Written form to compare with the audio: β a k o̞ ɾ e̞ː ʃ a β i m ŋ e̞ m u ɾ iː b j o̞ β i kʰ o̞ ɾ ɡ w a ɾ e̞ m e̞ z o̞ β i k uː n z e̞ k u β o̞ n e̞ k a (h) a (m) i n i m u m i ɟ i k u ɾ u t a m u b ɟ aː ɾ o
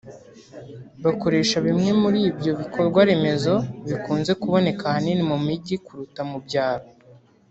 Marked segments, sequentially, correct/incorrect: correct, incorrect

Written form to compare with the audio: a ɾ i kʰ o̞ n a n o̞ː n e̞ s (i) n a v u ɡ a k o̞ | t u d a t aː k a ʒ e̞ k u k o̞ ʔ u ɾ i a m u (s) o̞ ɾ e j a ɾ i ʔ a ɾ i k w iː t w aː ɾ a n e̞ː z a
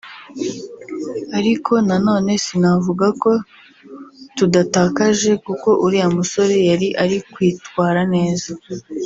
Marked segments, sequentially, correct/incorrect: correct, correct

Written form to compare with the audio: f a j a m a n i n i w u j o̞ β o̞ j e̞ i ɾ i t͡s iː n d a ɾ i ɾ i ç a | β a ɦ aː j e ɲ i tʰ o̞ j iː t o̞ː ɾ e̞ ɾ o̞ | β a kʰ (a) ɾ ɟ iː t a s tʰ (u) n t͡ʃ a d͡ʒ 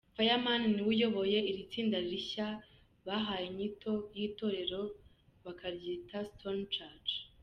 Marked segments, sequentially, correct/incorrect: correct, incorrect

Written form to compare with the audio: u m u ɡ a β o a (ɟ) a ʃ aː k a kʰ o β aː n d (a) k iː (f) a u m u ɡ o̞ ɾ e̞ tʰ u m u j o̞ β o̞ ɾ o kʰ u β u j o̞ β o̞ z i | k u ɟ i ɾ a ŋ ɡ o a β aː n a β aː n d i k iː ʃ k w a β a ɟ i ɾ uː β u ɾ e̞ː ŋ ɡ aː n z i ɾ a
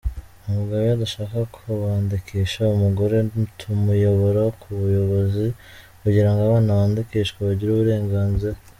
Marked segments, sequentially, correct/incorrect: incorrect, incorrect, incorrect

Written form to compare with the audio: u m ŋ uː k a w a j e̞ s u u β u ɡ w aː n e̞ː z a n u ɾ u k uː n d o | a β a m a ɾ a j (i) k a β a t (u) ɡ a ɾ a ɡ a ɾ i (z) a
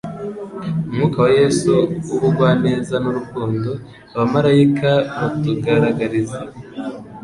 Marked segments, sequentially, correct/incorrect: correct, correct, correct

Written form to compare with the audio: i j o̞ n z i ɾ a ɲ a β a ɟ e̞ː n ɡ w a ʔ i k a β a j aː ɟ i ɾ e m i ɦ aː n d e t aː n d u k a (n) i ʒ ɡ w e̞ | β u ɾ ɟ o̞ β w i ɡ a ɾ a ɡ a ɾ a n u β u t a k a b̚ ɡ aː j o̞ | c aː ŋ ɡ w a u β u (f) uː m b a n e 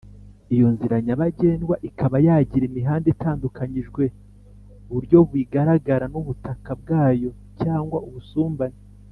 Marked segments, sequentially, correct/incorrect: incorrect, incorrect

